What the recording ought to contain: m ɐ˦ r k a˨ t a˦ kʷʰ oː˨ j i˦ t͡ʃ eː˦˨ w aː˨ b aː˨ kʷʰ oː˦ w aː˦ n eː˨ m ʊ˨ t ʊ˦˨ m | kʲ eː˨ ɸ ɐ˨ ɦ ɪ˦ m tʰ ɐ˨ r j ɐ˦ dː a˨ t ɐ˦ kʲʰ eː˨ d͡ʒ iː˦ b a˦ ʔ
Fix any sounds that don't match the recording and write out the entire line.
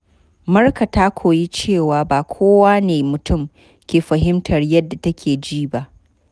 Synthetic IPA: m ɐ˦ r k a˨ t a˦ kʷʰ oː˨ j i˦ t͡ʃ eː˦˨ w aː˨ b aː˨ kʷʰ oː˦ w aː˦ n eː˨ m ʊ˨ t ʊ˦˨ m | kʲ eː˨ ɸ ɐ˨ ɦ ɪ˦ m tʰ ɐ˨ r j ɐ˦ dː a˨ t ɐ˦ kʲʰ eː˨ d͡ʒ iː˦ b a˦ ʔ